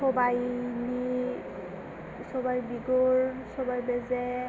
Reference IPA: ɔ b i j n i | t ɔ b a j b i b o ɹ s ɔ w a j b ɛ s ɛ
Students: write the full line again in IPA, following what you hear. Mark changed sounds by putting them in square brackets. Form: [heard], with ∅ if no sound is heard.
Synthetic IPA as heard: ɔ b [a] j n i | [s] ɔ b a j b i [ɡ] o ɹ s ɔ [b] a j b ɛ [z] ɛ